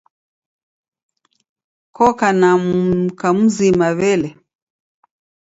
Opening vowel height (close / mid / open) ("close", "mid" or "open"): mid